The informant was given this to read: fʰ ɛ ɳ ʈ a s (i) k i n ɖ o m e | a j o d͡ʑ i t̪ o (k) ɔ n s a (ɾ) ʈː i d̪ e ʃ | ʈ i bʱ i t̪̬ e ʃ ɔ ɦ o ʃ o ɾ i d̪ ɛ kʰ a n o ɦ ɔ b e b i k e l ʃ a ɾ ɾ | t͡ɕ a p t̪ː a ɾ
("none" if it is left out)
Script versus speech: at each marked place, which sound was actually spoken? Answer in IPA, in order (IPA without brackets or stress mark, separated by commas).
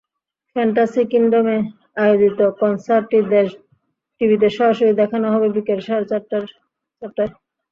i, k, ɾ